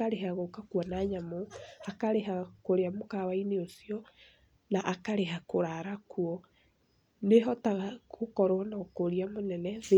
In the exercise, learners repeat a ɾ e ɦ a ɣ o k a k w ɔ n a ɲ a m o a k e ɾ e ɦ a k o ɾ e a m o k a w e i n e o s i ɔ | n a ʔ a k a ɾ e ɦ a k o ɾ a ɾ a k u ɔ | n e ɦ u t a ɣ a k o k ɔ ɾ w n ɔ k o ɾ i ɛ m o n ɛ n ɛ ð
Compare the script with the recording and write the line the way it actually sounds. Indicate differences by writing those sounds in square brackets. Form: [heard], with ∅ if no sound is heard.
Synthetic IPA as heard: a ɾ e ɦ a ɣ o k a k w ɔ n a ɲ a m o a k [a] ɾ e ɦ a k o ɾ e a m o k a w [a] i n e o s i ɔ | n a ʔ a k a ɾ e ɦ a k o ɾ a ɾ a k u ɔ | n e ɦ [ɔ] t a ɣ a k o k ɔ ɾ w n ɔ k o ɾ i [a] m o n ɛ n ɛ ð